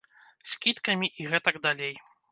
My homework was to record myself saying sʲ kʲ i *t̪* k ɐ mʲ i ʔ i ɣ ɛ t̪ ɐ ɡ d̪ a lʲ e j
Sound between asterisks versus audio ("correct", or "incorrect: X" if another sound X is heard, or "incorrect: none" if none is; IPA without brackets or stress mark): correct